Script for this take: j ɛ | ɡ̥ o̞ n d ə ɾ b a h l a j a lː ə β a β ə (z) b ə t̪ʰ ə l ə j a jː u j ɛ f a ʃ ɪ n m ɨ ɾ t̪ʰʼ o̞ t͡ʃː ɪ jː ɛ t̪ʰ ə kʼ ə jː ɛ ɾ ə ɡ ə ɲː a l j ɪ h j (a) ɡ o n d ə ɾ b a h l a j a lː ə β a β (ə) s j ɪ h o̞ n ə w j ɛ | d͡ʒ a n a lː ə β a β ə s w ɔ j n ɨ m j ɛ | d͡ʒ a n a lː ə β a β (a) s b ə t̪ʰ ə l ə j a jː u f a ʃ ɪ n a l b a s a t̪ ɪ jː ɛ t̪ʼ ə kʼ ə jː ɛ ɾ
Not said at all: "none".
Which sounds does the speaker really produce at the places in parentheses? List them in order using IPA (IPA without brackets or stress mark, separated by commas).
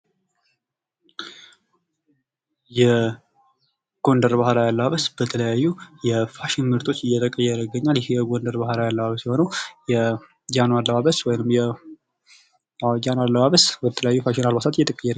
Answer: s, ɛ, ə, ə